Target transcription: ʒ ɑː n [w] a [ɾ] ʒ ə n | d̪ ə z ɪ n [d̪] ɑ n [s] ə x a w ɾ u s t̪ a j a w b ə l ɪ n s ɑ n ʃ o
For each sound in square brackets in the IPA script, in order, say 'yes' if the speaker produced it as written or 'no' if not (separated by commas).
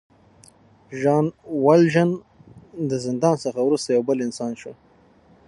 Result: yes, no, yes, yes